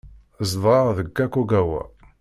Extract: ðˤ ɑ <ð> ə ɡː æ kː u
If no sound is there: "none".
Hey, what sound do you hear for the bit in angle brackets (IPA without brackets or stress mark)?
ð